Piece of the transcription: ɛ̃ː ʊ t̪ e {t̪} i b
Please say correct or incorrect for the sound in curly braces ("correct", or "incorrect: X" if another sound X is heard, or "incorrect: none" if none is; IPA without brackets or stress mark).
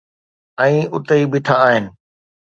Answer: incorrect: none